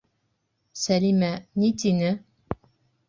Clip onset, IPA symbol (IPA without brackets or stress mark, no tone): s